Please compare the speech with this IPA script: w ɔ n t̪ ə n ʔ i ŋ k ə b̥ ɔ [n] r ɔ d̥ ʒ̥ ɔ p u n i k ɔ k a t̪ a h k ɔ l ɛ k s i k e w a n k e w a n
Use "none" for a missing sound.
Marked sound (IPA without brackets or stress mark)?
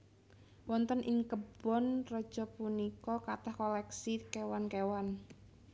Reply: n